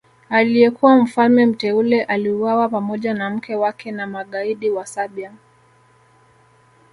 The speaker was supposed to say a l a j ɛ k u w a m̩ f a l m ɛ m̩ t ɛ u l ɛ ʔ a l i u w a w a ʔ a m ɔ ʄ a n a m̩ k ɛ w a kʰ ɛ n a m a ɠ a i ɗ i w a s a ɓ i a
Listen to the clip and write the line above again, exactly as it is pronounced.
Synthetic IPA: a l i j ɛ k u w a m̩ f a l m ɛ m̩ t ɛ u l ɛ ʔ a l i u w a w a p a m ɔ ʄ a n a m̩ k ɛ w a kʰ ɛ n a m a ɠ a i ɗ i w a s a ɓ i a